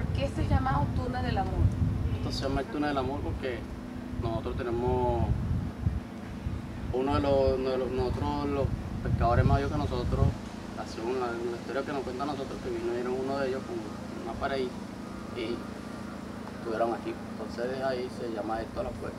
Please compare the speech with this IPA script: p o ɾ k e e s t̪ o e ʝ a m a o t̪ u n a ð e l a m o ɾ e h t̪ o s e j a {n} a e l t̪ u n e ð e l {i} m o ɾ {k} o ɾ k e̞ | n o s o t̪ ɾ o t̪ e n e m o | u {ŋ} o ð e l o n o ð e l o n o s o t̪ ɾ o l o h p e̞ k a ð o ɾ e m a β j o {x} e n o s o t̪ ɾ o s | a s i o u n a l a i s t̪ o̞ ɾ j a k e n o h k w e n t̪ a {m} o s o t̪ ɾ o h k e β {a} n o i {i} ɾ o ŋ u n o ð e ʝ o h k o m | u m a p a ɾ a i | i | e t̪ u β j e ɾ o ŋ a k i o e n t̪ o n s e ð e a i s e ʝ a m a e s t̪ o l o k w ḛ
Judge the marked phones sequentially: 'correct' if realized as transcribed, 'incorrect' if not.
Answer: incorrect, incorrect, incorrect, incorrect, incorrect, incorrect, incorrect, incorrect

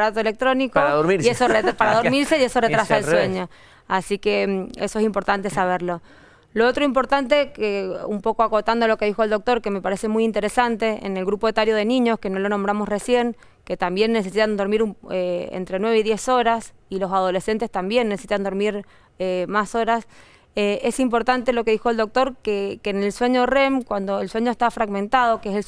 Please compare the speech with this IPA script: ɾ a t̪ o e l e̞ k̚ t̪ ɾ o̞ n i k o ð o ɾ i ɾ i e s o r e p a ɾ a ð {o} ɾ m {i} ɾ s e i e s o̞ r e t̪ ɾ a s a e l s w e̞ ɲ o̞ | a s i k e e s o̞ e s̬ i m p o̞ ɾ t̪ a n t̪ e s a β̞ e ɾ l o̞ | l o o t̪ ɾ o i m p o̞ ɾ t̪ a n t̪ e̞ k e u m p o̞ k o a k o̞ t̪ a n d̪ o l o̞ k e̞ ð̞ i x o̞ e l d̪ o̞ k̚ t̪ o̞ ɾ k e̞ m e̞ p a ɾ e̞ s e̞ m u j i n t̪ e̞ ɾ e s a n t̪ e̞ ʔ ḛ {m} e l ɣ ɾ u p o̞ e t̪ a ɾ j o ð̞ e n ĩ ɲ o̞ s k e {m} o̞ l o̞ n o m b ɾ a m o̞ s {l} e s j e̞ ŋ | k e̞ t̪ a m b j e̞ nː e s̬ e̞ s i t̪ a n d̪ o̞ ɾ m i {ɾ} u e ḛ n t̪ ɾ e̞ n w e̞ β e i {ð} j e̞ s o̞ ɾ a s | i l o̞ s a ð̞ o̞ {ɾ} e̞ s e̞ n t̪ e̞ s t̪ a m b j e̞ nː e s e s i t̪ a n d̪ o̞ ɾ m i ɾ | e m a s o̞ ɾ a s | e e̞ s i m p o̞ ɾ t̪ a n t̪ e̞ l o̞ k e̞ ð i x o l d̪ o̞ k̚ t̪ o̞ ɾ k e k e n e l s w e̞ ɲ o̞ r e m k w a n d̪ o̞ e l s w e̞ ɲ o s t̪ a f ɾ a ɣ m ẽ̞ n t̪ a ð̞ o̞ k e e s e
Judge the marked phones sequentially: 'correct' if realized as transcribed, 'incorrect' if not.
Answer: correct, correct, incorrect, incorrect, incorrect, correct, correct, incorrect

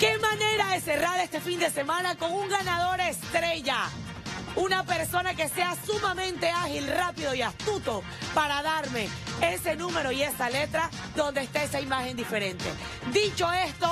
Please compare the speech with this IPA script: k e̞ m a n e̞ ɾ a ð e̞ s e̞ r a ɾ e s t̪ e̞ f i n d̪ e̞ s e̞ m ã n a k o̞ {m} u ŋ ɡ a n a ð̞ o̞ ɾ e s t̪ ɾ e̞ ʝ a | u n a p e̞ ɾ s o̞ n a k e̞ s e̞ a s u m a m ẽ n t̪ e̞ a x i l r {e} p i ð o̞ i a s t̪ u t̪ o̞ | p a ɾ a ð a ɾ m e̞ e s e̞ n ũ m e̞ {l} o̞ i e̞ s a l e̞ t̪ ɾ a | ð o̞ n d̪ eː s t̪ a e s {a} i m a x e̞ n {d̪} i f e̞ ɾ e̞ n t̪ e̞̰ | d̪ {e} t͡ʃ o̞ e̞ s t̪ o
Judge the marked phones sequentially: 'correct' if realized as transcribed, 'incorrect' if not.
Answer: incorrect, incorrect, incorrect, correct, correct, incorrect

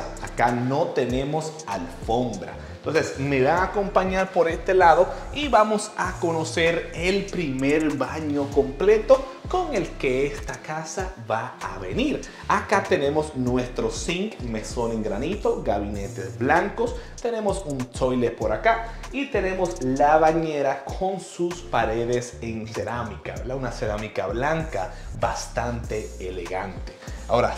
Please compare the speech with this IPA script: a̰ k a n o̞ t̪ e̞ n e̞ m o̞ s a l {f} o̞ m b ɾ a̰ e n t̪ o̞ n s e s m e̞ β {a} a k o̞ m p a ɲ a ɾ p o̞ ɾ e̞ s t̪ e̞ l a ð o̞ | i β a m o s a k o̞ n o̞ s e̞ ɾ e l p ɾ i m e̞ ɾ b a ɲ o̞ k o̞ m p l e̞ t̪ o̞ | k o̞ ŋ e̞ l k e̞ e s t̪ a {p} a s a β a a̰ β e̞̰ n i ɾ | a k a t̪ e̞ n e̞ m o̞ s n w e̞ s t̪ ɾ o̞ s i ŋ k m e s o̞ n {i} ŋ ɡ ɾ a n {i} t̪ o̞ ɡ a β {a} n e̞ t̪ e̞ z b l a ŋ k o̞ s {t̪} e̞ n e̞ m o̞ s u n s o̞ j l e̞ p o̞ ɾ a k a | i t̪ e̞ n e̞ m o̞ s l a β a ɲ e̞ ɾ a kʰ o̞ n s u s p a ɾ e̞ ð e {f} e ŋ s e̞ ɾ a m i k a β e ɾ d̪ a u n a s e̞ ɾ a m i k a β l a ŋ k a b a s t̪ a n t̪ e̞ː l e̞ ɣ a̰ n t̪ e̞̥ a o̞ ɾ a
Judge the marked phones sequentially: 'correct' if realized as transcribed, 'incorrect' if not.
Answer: correct, correct, incorrect, incorrect, correct, incorrect, correct, incorrect

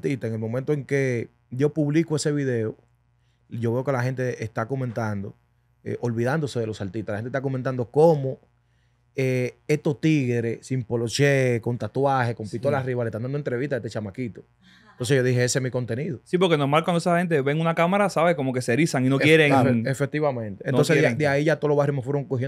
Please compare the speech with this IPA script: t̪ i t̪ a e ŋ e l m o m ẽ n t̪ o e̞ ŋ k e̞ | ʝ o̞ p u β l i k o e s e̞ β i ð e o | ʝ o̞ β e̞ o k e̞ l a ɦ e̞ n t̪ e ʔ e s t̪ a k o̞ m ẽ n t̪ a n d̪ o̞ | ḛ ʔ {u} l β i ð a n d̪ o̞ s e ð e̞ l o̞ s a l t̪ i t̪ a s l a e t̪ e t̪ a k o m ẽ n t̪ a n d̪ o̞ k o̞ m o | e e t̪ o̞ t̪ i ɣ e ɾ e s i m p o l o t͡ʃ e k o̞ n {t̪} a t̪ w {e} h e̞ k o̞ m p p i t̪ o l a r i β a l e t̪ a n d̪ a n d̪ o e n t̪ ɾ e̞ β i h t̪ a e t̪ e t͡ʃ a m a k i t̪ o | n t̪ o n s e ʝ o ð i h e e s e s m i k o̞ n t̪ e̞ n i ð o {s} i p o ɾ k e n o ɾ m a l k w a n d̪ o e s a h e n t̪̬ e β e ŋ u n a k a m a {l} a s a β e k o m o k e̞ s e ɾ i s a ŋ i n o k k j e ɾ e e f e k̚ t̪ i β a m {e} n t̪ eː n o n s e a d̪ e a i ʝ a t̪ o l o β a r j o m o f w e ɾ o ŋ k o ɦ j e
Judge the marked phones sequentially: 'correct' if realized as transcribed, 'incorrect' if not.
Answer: incorrect, correct, incorrect, correct, incorrect, incorrect

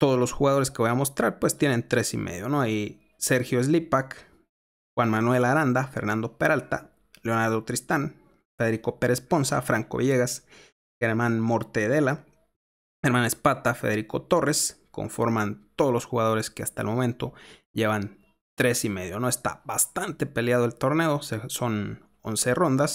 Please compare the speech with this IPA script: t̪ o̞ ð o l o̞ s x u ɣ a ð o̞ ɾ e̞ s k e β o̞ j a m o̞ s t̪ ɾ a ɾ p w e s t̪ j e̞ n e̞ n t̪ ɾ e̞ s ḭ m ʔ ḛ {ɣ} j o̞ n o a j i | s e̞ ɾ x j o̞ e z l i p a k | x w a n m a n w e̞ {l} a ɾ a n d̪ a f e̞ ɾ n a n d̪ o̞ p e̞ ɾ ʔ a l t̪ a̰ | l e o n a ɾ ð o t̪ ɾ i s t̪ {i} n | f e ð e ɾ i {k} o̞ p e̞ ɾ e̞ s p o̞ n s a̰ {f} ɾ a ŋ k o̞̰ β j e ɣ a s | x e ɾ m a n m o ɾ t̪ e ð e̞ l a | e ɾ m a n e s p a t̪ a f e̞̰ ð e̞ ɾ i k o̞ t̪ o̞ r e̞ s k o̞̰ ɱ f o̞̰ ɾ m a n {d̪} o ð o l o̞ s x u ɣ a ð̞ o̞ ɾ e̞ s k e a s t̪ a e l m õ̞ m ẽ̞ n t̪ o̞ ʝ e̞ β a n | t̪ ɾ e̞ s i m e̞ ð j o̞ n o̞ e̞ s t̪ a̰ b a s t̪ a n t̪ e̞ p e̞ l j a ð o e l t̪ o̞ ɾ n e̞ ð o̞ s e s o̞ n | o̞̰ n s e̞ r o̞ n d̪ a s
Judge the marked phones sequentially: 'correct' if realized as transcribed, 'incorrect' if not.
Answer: incorrect, correct, incorrect, correct, correct, incorrect

